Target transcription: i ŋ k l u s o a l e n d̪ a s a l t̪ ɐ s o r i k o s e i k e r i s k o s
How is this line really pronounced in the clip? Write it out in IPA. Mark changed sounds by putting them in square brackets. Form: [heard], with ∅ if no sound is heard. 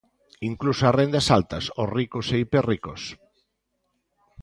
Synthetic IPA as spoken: i ŋ k l u s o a [r] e n d̪ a s a l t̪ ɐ s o r i k o s e i [p] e r i [∅] k o s